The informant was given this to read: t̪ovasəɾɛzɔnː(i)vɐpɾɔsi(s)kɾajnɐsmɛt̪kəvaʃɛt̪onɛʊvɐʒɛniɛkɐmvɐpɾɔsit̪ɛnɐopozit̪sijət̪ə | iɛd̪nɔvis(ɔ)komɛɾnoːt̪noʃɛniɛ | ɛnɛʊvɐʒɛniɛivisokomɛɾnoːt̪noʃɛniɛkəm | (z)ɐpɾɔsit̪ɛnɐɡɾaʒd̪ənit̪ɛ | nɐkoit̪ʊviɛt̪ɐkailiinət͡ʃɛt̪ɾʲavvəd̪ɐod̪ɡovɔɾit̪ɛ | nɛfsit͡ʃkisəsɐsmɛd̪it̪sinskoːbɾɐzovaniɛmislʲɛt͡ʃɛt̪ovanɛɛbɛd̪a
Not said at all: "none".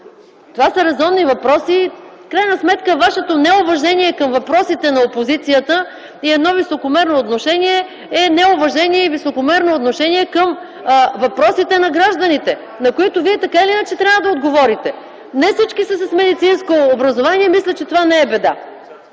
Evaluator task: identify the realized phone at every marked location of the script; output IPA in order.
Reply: i, f, o, v

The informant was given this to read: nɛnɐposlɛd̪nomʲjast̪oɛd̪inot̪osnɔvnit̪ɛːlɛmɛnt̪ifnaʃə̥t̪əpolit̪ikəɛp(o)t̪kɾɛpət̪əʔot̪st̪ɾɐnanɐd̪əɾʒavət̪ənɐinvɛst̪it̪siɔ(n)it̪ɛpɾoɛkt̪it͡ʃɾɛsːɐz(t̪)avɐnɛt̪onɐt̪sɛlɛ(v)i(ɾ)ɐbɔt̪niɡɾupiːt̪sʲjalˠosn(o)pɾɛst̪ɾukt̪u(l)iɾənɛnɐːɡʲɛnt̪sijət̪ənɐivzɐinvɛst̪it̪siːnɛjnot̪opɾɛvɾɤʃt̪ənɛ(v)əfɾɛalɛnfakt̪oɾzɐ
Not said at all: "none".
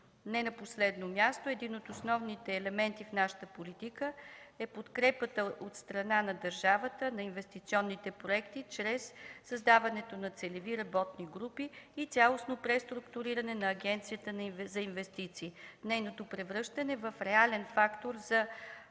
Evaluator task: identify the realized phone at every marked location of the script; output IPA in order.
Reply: o, nː, d̪, v, ɾ, o, ɾ, v

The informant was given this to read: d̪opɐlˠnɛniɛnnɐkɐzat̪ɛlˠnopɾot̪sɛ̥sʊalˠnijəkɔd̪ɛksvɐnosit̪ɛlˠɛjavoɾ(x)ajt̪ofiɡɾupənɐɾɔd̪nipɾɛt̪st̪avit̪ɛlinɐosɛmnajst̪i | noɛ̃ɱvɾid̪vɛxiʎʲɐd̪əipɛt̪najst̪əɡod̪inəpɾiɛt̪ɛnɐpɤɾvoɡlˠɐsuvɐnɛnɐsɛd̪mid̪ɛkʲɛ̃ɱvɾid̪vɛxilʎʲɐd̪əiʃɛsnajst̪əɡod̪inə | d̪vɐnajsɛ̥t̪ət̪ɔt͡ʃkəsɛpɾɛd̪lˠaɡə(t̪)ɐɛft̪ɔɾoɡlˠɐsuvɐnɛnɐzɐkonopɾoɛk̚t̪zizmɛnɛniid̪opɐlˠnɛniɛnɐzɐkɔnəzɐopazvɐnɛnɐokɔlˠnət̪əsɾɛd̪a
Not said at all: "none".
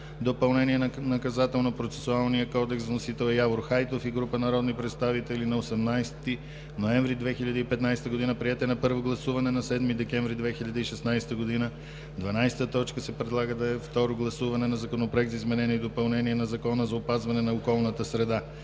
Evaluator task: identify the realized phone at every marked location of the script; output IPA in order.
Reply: x, d̪

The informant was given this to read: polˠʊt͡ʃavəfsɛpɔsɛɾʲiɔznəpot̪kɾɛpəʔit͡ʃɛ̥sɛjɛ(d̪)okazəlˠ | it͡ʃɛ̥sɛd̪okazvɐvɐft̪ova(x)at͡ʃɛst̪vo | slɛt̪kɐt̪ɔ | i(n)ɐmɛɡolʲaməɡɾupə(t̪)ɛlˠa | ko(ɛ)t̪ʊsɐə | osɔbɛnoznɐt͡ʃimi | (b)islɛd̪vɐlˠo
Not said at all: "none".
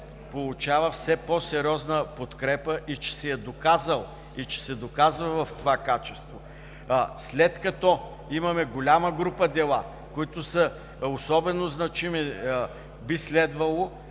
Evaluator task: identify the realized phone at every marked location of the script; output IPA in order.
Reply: d̪, k, m, d̪, i, b

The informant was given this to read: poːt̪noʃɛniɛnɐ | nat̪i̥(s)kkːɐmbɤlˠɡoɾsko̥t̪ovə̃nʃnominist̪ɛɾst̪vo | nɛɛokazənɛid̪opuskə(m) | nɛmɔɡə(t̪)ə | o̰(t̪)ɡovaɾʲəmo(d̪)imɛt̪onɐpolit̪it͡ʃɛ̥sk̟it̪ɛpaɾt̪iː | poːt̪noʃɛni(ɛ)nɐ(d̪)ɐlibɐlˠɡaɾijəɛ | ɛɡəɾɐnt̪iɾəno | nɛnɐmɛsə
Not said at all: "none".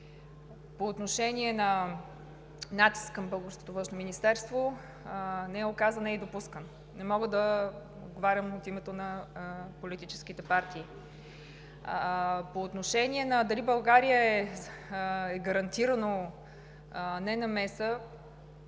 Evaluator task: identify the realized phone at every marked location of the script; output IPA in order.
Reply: s, n, d̪, d̪, t̪, ɛ, d̪

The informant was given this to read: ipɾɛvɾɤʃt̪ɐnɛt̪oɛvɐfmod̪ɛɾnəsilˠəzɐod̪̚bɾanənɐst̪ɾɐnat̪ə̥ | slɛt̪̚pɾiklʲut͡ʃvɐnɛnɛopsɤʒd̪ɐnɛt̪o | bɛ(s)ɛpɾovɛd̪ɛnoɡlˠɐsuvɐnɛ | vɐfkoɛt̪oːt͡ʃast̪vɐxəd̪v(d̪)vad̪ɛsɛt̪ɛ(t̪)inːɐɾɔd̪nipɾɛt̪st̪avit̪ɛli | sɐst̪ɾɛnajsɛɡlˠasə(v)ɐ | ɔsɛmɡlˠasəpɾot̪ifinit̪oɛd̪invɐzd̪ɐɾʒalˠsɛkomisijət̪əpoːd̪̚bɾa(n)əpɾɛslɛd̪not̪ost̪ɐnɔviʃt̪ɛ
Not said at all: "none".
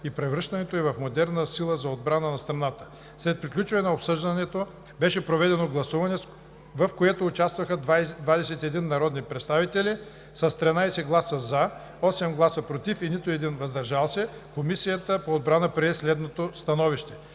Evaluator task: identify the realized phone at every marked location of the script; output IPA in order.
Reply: ʃ, d̪, d̪, z, n

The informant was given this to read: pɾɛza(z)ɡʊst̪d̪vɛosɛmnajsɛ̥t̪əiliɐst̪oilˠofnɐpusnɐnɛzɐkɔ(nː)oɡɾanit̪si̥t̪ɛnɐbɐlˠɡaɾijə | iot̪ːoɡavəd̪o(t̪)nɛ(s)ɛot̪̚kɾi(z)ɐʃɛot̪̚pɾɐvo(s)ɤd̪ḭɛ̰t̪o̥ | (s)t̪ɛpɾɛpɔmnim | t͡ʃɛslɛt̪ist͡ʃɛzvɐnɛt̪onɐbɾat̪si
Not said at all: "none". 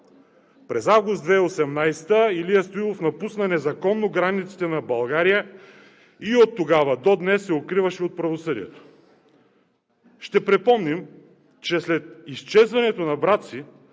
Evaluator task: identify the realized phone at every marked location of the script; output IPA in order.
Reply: v, nː, d̪, sː, v, s, ʃ

